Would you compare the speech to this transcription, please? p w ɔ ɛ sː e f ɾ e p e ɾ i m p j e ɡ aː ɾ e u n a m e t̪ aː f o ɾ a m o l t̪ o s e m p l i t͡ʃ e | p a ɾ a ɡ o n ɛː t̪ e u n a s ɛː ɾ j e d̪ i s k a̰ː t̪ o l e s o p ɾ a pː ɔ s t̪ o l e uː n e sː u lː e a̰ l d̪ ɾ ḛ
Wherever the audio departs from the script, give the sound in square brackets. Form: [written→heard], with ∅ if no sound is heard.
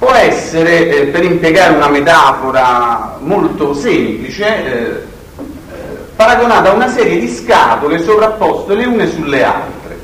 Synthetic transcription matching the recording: p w ɔ ɛ sː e [f→∅] ɾ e p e ɾ i m p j e ɡ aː ɾ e u n a m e t̪ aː f o ɾ a m o l t̪ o s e m p l i t͡ʃ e | p a ɾ a ɡ o n [ɛː→aː] t̪ [e→a] u n a s ɛː ɾ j e d̪ i s k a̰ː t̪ o l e s o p ɾ a pː ɔ s t̪ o l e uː n e [sː→s] u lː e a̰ l [d̪→t̪] ɾ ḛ